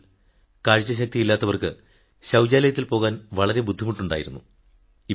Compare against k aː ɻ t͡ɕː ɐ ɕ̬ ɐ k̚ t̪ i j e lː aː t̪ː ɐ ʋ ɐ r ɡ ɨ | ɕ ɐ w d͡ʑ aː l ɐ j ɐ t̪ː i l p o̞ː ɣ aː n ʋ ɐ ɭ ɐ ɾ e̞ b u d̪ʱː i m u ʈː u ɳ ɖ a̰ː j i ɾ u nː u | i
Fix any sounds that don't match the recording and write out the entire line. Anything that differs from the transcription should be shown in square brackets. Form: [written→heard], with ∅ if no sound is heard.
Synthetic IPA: k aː ɻ t͡ɕː ɐ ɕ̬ ɐ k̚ t̪ i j [e→i] lː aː t̪ː ɐ ʋ ɐ r [ɡ→k] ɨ | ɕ ɐ w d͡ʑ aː l ɐ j ɐ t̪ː i l p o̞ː ɣ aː n ʋ ɐ ɭ ɐ ɾ e̞ b u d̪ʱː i m u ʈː u ɳ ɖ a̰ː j i ɾ u nː u | i